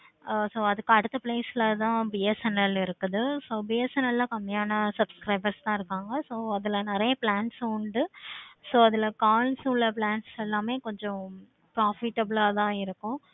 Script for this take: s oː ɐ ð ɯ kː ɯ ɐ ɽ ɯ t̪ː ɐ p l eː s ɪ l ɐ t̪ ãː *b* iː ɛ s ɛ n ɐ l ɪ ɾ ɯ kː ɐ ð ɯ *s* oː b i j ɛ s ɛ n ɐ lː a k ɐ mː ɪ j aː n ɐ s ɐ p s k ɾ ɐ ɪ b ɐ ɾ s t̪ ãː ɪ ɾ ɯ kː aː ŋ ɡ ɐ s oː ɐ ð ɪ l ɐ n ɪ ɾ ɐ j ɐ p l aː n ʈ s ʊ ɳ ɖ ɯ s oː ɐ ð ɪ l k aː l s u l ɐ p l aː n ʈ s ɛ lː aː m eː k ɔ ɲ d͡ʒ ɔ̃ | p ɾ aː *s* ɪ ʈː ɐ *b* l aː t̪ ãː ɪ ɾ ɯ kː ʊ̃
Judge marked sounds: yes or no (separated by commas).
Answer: yes, yes, no, yes